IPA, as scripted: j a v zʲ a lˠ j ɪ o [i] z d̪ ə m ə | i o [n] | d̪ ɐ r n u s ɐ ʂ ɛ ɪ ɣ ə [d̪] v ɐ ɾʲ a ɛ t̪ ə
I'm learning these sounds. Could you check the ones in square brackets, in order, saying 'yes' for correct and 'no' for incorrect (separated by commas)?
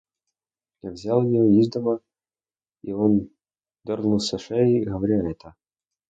yes, yes, no